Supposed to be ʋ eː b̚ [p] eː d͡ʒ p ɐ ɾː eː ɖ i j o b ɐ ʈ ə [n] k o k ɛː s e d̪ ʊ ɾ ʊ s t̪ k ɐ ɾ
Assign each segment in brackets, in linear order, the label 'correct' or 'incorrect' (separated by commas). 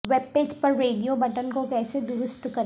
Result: correct, correct